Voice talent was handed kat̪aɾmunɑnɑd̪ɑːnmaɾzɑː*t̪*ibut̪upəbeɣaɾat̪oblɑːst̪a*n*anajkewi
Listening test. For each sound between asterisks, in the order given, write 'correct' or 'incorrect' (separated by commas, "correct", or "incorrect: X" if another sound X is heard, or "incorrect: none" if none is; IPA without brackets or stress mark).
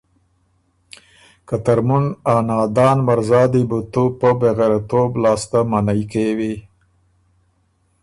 incorrect: d̪, incorrect: m